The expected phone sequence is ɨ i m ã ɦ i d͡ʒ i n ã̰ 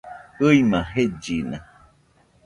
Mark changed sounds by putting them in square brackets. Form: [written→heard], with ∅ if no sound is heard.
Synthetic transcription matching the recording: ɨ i m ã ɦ [i→e] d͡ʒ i n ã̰